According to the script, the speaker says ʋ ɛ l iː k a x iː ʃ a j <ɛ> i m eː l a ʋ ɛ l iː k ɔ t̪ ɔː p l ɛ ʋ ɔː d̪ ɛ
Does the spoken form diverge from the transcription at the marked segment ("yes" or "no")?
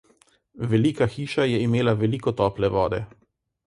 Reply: no